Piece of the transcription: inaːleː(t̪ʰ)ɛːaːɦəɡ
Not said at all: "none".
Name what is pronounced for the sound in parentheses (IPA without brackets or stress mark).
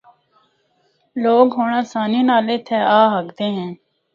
t̪ʰ